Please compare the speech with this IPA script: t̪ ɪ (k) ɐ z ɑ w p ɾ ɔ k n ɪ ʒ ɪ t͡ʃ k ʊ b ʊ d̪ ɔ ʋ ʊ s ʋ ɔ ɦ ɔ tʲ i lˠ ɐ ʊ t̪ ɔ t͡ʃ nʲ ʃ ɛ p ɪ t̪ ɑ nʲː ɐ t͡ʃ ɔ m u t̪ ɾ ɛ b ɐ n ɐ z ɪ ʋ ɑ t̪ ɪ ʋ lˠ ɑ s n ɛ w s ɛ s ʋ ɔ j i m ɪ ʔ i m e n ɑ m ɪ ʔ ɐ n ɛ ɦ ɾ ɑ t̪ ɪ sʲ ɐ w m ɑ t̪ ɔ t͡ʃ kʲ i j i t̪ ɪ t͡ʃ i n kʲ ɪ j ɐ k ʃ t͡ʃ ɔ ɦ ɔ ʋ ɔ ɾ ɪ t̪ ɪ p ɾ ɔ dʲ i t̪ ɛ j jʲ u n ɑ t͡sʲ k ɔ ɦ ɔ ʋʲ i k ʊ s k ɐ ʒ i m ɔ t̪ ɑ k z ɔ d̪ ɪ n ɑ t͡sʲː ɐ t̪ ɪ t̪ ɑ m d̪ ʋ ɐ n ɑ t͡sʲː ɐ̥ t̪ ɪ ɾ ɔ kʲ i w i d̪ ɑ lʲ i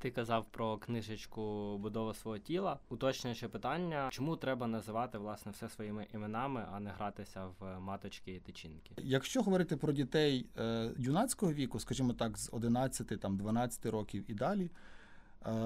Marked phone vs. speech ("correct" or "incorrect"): correct